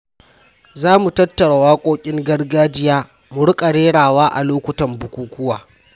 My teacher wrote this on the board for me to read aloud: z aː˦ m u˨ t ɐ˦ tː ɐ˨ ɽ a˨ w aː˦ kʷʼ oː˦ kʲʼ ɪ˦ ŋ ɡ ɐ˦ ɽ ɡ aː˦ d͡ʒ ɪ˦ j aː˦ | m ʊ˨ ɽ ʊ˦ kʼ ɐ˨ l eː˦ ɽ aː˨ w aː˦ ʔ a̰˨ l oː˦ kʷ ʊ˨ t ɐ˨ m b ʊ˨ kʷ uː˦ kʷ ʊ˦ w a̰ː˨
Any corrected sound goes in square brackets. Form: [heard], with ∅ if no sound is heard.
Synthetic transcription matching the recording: z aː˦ m u˨ t ɐ˦ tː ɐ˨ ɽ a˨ w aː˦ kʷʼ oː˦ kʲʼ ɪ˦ ŋ ɡ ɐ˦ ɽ ɡ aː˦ d͡ʒ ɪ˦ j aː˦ | m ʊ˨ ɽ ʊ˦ kʼ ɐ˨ [ɽ] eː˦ ɽ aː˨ w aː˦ ʔ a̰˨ l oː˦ kʷ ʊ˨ t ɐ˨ m b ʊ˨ kʷ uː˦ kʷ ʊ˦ w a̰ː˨

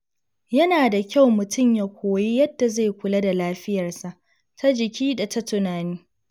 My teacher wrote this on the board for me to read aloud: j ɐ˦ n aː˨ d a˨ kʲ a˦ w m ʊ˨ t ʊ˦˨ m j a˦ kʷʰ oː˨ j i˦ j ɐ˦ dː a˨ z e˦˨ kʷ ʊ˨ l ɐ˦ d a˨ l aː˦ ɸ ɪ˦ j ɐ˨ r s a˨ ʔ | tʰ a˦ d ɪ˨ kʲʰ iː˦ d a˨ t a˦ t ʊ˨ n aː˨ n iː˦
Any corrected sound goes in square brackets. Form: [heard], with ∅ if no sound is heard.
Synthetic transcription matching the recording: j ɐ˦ n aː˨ d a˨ kʲ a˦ w m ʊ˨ t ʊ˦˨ m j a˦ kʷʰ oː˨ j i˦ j ɐ˦ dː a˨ z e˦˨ kʷ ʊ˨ l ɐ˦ d a˨ l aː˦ ɸ ɪ˦ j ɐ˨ r s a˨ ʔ | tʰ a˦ [d͡ʒ] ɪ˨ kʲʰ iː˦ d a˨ t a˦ t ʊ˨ n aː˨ n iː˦

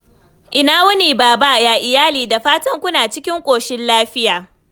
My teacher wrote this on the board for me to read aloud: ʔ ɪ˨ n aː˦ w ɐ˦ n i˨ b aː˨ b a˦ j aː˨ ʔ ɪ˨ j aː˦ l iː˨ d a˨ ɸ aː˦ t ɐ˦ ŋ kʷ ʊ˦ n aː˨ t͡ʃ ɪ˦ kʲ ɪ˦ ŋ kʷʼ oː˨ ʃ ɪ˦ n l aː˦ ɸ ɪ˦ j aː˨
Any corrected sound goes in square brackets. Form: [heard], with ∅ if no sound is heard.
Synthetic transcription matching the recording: ʔ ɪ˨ n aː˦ w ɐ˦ n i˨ b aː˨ b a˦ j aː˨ ʔ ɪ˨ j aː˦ l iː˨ d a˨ ɸ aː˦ t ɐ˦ ŋ kʷ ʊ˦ n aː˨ t͡ʃ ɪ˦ kʲ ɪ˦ ŋ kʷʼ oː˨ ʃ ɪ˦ n l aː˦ ɸ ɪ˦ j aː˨

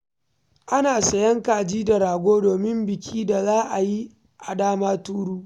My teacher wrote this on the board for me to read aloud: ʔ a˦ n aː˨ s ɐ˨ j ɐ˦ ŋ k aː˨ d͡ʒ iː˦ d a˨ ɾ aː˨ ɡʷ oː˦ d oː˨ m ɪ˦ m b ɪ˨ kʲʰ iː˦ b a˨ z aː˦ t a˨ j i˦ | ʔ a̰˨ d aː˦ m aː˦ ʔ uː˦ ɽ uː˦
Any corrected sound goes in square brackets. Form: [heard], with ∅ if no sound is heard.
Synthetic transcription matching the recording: ʔ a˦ n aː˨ s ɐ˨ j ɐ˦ ŋ k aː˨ d͡ʒ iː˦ d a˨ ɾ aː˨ ɡʷ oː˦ d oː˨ m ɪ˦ m b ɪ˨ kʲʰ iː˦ [d] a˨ z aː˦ [ʔ] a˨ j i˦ | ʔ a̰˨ d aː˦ m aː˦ [t] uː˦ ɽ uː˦

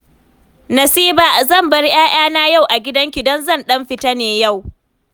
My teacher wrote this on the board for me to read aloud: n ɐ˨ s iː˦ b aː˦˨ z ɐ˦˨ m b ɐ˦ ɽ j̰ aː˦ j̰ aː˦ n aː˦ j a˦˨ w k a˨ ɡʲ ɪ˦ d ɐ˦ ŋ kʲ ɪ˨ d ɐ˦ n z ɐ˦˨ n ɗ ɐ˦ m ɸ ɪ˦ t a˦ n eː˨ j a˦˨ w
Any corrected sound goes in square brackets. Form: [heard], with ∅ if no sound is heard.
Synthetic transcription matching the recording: n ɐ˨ s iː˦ b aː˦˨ z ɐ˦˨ m b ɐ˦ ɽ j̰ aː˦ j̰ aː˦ n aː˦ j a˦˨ w [ʔ] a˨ ɡʲ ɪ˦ d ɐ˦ ŋ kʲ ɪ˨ d ɐ˦ n z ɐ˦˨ n ɗ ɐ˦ m ɸ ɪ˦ t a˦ n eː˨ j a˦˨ w

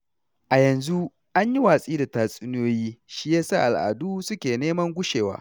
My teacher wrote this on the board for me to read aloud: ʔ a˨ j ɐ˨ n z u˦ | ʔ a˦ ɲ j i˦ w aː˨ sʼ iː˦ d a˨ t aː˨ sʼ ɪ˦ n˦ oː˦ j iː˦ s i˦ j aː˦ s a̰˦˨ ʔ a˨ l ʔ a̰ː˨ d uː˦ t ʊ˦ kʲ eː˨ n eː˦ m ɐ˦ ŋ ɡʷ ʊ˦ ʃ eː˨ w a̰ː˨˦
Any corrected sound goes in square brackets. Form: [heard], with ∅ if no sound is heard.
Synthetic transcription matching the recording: ʔ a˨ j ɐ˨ n z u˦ | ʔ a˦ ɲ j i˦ w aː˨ sʼ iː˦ d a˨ t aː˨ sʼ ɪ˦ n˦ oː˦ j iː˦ [ʃ] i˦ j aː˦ s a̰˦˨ ʔ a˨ l ʔ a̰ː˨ d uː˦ [s] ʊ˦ kʲ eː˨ n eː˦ m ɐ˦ ŋ ɡʷ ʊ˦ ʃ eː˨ w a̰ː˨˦

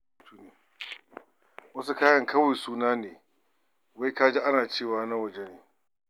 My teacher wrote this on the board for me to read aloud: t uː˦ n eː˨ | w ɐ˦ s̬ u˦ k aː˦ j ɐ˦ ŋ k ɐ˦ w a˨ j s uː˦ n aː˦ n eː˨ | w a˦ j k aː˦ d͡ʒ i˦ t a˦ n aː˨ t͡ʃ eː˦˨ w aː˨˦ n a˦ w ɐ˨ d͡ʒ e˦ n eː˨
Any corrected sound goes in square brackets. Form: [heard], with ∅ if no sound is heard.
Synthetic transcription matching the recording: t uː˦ n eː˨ | w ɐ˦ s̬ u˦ k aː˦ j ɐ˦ ŋ k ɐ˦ w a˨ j s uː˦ n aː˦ n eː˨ | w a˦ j k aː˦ d͡ʒ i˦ [ʔ] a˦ n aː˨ t͡ʃ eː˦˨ w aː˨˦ n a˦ w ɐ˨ d͡ʒ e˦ n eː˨

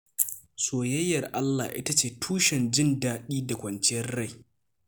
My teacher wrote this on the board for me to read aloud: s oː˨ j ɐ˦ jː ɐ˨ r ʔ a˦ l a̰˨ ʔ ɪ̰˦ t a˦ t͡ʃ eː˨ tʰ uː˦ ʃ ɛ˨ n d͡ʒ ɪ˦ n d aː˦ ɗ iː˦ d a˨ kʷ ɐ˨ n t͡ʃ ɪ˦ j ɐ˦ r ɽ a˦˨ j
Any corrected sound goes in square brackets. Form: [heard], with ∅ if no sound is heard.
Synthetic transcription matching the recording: s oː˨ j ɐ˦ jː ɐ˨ r ʔ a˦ [lː] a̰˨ ʔ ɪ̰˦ t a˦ t͡ʃ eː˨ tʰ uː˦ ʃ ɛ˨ n d͡ʒ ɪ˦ n d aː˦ ɗ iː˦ d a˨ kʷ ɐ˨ n t͡ʃ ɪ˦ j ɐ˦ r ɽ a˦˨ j

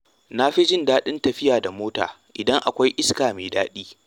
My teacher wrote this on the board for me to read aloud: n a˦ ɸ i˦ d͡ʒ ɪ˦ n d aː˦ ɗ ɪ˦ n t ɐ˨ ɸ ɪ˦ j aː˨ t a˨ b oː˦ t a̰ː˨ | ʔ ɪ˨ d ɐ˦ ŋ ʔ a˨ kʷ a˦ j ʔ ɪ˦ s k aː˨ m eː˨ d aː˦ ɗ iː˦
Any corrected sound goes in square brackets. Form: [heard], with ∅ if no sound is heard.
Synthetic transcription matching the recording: n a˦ ɸ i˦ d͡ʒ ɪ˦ n d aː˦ ɗ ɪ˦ n t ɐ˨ ɸ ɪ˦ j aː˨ [d] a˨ [m] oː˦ t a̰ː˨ | ʔ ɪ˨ d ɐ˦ ŋ ʔ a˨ kʷ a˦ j ʔ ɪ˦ s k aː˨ m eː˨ d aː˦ ɗ iː˦

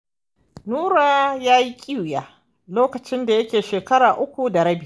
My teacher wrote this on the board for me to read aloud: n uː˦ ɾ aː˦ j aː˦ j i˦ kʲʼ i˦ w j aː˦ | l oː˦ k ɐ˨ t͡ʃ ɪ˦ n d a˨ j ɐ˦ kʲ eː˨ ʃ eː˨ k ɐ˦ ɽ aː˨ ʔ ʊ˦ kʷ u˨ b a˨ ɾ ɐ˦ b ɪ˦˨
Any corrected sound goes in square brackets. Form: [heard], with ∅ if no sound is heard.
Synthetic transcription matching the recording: n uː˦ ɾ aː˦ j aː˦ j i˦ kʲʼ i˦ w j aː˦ | l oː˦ k ɐ˨ t͡ʃ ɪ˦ n d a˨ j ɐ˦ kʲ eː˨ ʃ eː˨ k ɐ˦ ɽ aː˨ ʔ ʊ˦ kʷ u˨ [d] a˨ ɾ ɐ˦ b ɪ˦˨

